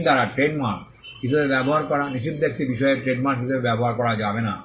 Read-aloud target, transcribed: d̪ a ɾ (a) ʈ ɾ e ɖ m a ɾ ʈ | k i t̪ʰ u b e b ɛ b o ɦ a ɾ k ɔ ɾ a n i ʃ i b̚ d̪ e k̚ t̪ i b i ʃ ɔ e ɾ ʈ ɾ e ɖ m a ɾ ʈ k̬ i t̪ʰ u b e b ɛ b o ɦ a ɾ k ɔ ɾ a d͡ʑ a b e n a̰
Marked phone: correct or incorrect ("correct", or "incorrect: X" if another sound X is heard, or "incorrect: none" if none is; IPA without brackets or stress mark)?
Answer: correct